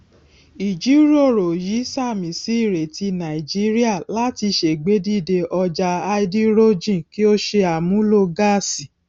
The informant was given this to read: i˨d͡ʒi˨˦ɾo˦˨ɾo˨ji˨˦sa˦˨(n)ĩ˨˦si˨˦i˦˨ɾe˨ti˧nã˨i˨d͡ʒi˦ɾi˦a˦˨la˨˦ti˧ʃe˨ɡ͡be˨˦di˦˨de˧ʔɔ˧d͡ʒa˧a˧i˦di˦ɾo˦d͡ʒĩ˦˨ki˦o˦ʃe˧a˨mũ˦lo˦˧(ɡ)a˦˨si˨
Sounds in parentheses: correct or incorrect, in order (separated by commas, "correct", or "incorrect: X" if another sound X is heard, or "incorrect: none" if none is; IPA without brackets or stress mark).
incorrect: m, correct